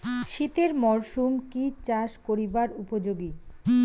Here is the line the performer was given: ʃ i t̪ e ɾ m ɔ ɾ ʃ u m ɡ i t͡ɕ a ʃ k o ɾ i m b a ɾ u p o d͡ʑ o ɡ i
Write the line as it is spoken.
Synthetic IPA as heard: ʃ i t̪ e ɾ m ɔ ɾ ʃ u m k i t͡ɕ a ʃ k o ɾ i b a ɾ u p o d͡ʑ o ɡ i